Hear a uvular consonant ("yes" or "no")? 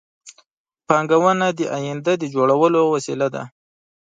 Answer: no